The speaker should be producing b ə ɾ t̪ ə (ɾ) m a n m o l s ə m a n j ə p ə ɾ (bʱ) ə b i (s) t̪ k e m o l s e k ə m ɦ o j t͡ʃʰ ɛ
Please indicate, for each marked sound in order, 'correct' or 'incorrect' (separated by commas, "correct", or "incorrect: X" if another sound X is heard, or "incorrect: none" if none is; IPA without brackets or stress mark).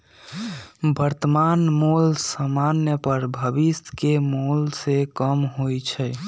incorrect: none, correct, correct